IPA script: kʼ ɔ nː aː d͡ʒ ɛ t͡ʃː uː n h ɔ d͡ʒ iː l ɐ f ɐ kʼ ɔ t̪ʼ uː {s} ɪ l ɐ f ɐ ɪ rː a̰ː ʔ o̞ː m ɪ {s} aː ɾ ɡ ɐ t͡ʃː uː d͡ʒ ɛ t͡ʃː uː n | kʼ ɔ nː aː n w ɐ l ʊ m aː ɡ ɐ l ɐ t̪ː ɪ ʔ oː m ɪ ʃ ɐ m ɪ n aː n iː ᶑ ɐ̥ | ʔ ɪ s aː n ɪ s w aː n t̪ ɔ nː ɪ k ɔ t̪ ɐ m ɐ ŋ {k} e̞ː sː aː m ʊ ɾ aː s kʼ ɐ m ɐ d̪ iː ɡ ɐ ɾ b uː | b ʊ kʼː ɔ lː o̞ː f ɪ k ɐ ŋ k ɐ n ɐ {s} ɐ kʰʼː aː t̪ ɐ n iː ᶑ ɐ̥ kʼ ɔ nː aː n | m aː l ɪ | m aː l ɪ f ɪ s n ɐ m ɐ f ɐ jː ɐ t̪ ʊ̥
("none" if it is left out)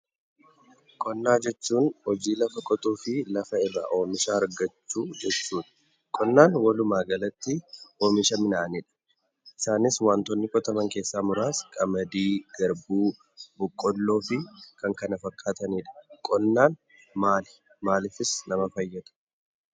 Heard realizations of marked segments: f, ʃ, k, f

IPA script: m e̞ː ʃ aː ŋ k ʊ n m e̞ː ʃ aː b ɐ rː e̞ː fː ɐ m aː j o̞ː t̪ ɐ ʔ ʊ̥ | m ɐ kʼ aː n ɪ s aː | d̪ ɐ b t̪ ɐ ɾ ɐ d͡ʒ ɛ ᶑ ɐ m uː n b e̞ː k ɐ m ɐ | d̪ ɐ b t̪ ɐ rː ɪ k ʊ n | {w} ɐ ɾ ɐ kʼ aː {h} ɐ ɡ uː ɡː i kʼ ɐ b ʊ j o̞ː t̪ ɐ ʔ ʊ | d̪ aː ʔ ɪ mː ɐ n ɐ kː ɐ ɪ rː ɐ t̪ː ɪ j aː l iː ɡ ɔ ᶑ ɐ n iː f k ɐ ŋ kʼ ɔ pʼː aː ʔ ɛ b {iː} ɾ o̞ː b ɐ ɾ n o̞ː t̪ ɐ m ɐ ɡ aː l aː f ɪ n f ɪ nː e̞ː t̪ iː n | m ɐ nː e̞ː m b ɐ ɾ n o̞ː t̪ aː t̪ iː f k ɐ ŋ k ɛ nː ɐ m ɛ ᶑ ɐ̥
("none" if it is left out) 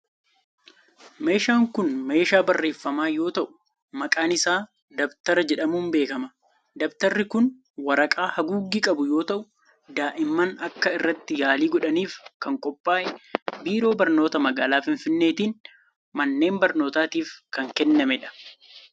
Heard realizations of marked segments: w, h, iː

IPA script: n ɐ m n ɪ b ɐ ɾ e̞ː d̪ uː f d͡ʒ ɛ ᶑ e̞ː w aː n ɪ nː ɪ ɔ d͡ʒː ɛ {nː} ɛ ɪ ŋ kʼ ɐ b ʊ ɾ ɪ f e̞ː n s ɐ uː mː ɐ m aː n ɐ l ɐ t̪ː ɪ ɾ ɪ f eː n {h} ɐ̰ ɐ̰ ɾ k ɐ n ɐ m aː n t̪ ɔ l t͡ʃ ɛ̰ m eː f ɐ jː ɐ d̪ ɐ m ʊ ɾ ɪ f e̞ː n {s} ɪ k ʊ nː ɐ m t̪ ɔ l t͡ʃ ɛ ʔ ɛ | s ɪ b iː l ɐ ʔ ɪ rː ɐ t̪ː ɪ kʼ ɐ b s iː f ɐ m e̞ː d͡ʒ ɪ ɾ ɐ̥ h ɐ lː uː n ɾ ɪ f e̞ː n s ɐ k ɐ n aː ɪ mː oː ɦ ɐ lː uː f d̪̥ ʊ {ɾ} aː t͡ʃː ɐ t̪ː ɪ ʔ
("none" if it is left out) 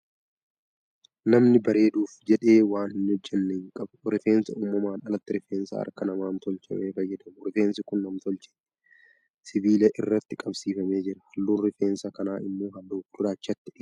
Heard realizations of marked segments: nː, s, s, ɾ

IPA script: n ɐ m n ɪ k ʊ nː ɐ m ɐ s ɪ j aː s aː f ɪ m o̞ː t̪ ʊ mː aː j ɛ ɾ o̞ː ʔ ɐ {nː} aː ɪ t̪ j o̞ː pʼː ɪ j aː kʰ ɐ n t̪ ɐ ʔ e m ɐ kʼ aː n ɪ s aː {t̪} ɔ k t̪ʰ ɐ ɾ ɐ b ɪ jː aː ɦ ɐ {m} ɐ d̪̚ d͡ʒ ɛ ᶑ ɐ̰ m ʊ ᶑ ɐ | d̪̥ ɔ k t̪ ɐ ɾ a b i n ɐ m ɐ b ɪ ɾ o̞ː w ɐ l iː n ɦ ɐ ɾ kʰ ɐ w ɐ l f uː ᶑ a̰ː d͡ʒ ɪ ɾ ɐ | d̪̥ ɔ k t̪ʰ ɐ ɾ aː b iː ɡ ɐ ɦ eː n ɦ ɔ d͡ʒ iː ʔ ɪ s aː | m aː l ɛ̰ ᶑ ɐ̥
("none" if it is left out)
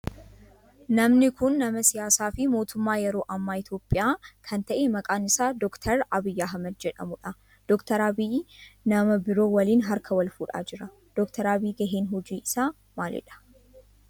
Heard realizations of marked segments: mː, d̪, m

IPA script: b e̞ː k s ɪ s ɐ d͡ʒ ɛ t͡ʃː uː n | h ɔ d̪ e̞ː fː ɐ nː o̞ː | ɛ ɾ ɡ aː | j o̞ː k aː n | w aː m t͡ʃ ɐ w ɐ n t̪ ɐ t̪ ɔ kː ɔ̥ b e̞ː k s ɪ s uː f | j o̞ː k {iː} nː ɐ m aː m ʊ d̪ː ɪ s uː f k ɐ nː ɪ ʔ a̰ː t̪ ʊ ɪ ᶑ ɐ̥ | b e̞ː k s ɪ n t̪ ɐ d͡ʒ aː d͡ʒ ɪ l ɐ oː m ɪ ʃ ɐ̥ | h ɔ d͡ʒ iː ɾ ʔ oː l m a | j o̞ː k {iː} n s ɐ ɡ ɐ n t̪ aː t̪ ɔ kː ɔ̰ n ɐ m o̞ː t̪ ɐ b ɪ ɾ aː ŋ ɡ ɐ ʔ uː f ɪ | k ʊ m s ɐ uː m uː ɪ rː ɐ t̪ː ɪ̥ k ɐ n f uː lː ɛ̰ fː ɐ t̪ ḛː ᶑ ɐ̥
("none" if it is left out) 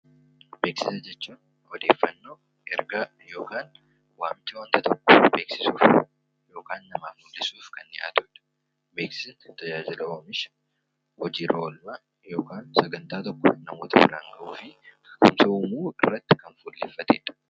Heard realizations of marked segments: aː, aː

